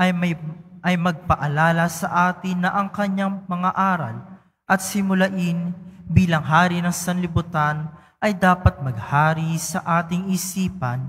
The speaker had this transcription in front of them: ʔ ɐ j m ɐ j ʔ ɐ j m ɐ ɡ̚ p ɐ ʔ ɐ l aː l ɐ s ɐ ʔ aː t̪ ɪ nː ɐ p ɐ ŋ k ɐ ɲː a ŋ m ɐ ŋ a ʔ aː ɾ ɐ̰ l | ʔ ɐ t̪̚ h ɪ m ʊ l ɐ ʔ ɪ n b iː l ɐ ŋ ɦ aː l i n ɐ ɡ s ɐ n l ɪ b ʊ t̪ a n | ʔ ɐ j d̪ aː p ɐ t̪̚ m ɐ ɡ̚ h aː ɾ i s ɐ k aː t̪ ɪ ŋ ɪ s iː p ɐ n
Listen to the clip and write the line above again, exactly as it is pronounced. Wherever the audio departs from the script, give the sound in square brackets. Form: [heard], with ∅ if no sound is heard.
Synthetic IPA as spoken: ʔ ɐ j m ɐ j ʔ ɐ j m ɐ ɡ̚ p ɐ ʔ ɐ l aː l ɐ s ɐ ʔ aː t̪ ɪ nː ɐ [ʔ] ɐ ŋ k ɐ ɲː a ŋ m ɐ ŋ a ʔ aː ɾ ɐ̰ l | ʔ ɐ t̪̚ [s] ɪ m ʊ l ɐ ʔ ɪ n b iː l ɐ ŋ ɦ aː [ɾ] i n ɐ [ŋ] s ɐ n l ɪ b ʊ t̪ a n | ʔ ɐ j d̪ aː p ɐ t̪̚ m ɐ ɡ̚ h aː ɾ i s ɐ [ʔ] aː t̪ ɪ ŋ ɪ s iː p ɐ n